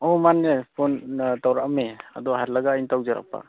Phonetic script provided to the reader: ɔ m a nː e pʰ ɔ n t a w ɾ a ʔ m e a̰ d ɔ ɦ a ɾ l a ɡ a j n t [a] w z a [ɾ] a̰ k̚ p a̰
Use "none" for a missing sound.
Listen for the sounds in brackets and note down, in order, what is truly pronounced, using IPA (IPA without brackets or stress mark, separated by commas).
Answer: a, ɾ